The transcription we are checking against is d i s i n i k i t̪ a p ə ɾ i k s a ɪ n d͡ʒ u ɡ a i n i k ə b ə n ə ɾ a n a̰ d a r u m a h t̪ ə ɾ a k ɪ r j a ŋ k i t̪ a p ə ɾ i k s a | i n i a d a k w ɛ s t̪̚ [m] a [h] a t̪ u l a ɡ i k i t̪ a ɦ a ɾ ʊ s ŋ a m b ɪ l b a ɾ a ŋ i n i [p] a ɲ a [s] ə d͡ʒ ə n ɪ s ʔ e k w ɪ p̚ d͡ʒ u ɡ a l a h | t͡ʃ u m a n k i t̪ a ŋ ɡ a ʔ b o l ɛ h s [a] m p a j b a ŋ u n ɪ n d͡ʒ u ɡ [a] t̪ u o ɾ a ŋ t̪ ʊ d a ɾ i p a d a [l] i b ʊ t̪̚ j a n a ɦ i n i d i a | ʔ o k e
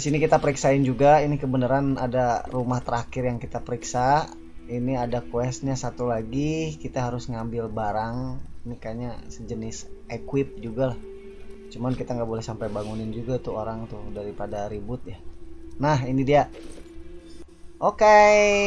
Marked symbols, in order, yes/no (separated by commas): no, no, no, yes, yes, yes, no